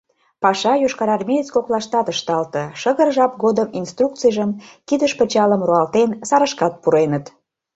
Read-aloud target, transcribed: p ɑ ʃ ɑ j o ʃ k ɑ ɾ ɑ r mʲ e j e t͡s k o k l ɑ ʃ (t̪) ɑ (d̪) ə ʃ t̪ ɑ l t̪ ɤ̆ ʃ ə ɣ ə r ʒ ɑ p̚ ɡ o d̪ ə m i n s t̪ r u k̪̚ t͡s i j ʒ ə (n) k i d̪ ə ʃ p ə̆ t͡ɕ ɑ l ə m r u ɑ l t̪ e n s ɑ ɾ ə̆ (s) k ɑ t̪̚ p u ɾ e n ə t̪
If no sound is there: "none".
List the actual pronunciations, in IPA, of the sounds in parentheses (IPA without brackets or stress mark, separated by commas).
t̪, t̪, m, ʃ